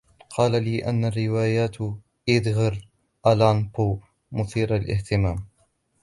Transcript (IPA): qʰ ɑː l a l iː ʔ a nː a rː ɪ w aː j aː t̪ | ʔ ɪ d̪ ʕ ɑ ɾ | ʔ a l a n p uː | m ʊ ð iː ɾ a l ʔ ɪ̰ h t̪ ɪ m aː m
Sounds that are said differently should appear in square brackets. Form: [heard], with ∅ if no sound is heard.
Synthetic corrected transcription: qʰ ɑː l a l iː ʔ a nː a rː ɪ w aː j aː t̪ | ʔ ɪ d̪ [ɣ] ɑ ɾ | ʔ a l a n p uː | m ʊ [θ] iː ɾ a l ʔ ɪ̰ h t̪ ɪ m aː m